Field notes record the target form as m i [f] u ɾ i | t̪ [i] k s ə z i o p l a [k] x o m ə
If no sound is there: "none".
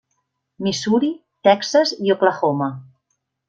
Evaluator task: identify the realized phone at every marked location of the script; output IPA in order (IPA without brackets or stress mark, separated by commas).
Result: s, ɛ, none